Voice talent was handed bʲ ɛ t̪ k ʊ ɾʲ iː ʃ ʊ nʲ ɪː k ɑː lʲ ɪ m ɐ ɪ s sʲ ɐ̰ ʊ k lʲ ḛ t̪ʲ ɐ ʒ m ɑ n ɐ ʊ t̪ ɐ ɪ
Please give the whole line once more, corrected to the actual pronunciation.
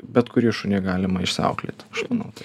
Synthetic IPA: bʲ ɛ t̪ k ʊ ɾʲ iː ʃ ʊ nʲ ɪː ɡ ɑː lʲ ɪ m ɐ ɪ ʃ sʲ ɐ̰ ʊ k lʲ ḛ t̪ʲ ɐ ʃ m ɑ n ɐ ʊ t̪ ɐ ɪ